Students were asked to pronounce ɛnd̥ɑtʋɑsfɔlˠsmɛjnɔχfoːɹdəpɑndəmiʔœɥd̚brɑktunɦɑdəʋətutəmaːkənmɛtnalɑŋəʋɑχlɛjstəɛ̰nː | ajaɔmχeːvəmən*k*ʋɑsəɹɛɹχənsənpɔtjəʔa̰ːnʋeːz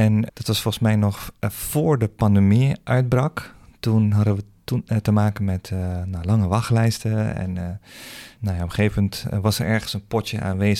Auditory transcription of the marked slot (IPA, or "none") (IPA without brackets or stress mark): t